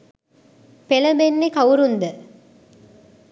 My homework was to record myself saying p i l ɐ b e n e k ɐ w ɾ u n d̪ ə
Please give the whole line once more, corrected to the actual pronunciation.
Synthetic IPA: p e l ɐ b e nː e k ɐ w ɾ u n d̪ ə